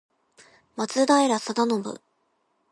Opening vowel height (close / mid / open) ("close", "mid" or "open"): open